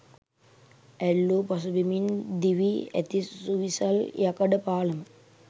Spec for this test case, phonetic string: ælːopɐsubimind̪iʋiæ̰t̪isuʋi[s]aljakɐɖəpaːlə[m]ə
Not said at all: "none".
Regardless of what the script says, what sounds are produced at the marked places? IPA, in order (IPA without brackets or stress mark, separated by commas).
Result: s, m